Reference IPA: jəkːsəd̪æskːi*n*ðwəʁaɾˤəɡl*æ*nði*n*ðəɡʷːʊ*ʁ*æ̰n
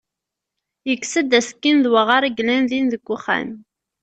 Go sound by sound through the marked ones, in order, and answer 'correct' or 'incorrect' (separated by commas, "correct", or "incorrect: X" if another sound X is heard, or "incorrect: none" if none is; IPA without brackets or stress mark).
correct, correct, correct, incorrect: χ